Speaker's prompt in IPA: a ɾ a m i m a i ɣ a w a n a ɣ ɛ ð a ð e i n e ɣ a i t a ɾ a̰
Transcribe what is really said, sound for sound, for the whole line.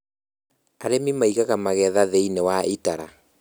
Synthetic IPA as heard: a ɾ e m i m a i ɣ a ɣ a m a ɣ ɛ ð a ð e i n e w a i t a ɾ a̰